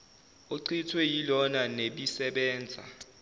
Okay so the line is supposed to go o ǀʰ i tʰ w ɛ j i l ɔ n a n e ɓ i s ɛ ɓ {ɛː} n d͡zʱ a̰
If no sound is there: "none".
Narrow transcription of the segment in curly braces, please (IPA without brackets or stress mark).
ɛː